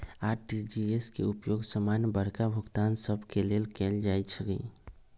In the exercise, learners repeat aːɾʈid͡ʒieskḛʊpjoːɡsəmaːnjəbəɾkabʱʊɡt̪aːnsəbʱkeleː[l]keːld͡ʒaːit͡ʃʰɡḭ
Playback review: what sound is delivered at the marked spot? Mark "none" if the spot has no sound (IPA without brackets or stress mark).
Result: l